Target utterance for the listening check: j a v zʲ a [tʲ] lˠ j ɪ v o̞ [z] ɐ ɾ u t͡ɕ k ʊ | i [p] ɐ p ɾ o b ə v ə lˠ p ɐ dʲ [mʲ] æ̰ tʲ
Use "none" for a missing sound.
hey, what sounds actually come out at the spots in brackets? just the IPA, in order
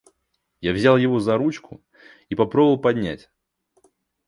none, z, p, nʲ

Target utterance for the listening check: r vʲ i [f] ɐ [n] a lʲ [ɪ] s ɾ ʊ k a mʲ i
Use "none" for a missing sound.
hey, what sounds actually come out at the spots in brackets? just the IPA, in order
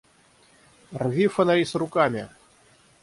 f, n, i

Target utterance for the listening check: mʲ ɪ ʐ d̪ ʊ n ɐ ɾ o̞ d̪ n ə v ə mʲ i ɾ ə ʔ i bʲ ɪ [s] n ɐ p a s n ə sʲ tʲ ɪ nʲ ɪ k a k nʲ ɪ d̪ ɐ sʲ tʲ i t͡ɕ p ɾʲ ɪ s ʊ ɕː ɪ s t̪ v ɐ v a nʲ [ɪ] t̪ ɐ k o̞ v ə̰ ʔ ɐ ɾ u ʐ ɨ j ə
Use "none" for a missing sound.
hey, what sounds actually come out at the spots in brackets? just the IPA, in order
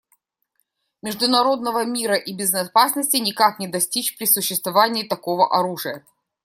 z, ɪː

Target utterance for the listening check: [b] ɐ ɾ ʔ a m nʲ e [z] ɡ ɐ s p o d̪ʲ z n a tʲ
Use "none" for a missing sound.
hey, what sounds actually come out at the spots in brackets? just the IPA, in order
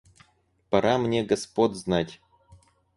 p, none

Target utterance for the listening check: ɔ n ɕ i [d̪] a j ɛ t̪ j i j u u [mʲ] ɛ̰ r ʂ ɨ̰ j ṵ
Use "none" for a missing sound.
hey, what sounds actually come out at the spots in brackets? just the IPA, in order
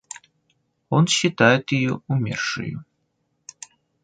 t̪, mʲ

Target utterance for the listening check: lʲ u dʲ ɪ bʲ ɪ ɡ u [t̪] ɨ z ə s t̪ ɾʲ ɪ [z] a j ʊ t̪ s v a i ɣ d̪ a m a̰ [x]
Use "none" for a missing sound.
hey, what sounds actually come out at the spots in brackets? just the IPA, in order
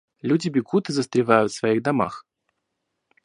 t̪, v, x

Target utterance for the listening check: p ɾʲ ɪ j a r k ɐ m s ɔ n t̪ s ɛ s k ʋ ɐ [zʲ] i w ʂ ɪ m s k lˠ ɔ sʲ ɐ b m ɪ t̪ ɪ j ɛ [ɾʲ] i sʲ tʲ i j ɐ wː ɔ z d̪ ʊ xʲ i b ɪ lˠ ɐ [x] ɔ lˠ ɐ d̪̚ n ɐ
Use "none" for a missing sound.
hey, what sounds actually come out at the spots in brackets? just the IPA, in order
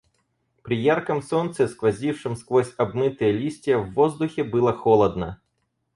zʲ, lʲ, x

